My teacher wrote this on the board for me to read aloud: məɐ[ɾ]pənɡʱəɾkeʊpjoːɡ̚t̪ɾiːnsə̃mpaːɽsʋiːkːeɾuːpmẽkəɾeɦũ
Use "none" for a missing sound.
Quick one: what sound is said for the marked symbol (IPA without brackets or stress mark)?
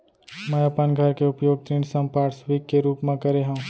none